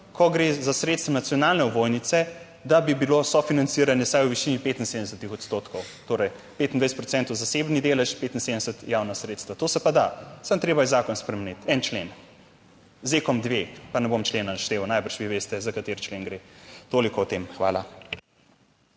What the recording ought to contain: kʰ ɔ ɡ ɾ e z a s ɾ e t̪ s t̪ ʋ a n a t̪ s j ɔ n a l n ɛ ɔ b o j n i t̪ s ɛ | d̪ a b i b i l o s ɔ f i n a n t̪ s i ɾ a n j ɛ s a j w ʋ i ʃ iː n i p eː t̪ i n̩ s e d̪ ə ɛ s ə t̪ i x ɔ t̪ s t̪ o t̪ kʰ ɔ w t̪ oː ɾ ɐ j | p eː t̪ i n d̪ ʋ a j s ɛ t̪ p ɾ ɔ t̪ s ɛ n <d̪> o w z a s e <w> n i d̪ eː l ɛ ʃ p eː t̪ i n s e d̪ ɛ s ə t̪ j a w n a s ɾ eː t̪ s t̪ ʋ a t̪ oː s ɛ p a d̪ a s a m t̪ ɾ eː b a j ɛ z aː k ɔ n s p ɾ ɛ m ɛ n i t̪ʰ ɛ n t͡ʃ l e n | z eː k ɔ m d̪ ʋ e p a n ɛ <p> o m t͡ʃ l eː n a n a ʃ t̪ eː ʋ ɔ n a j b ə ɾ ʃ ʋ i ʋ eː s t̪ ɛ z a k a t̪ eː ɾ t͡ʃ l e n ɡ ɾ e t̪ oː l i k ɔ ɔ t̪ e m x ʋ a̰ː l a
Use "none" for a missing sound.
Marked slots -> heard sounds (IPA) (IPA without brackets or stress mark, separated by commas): t̪, b, b